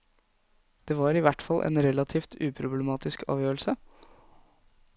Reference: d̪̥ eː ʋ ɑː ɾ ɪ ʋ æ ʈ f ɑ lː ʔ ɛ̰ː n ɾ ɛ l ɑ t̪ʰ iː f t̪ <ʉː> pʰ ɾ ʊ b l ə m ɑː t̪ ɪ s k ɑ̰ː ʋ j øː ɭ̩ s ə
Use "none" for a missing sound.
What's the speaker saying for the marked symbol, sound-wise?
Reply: ʉː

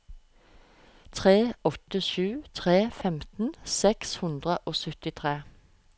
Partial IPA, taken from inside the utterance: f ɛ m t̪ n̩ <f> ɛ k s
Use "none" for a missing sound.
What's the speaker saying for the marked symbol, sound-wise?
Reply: s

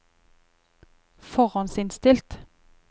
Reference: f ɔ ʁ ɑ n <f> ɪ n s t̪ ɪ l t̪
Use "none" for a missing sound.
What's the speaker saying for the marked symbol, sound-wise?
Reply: s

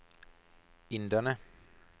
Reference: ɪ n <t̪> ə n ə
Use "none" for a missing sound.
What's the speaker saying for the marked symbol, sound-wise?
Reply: d̪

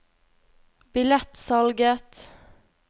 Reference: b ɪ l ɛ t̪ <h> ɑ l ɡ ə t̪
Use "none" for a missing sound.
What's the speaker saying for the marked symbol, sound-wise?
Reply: s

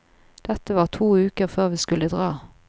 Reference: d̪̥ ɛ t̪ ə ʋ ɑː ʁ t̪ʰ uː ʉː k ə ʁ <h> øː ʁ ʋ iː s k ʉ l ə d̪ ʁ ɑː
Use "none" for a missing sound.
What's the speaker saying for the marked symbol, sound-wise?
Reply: f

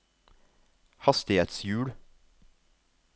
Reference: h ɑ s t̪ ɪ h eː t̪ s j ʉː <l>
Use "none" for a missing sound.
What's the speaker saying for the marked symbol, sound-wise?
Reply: ɽ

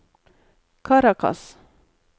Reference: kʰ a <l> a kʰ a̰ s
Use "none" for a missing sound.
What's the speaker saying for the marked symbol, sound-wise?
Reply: ɾ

